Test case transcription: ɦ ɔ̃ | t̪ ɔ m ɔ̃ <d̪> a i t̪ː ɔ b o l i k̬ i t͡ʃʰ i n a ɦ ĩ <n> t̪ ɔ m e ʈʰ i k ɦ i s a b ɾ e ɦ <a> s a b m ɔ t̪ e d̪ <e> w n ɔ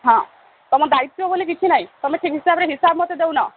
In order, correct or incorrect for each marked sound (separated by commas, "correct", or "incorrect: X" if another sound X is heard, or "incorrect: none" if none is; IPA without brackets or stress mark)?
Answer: correct, incorrect: none, incorrect: i, correct